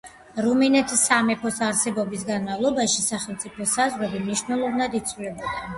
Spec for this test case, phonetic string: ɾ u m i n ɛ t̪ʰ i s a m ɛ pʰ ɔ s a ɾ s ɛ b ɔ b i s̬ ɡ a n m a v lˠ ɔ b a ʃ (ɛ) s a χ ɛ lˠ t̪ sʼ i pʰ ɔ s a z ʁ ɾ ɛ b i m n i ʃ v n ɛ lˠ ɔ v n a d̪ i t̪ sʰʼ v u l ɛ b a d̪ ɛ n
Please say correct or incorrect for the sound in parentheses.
incorrect